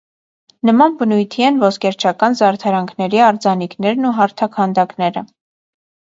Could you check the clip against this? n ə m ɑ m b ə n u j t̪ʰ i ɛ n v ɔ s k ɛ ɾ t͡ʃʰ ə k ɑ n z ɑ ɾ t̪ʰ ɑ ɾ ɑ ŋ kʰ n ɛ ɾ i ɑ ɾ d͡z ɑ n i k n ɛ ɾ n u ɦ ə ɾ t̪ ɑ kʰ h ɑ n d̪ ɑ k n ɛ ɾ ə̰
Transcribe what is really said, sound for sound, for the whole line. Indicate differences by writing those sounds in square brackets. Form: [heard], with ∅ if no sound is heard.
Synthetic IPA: n ə m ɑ [n] b ə n u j t̪ʰ i ɛ n v ɔ s k ɛ ɾ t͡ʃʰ [ɑ] k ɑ n z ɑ ɾ t̪ʰ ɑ ɾ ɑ ŋ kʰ n ɛ ɾ i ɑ ɾ d͡z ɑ n i k n ɛ ɾ n u ɦ [ɑ] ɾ [t̪ʰ] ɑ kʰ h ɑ n d̪ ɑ k n ɛ ɾ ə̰